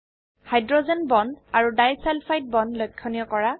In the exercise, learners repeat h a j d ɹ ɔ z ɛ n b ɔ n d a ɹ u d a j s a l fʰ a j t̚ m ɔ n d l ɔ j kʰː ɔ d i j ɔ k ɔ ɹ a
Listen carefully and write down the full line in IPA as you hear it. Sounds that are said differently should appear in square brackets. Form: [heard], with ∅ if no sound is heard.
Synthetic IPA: h a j d ɹ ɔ z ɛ n b ɔ n d a ɹ u d a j s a l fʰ a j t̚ [b] ɔ n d l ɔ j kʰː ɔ [n] i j ɔ k ɔ ɹ a